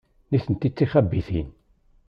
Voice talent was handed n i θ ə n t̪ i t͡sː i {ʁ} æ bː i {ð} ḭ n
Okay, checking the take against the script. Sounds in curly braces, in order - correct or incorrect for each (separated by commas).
incorrect, incorrect